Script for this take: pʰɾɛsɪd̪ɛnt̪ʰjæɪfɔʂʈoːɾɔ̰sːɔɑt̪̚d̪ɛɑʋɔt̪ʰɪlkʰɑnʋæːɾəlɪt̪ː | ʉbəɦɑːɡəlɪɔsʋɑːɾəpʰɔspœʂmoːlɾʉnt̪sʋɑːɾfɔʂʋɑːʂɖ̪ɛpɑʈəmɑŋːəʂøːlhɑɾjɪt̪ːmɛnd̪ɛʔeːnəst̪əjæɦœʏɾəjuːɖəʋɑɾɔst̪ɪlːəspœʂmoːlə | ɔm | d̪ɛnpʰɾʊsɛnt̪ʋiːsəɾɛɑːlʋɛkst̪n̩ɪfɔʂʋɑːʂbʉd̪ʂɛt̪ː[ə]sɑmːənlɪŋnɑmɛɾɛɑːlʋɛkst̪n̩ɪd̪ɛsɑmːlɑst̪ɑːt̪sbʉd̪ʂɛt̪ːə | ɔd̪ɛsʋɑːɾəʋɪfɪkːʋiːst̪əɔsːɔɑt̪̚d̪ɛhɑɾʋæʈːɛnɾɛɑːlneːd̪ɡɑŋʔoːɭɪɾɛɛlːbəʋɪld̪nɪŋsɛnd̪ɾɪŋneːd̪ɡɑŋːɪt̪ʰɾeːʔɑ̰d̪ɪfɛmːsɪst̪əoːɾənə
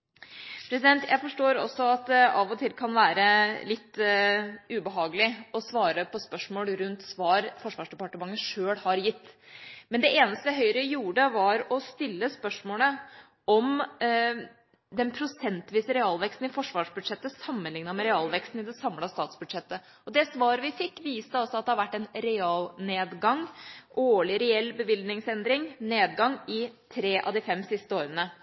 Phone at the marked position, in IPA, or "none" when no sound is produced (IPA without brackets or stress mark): ə